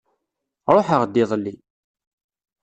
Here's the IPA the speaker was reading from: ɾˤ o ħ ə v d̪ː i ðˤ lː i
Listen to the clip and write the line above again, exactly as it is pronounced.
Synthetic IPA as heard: ɾˤ o ħ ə ʁ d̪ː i ðˤ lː i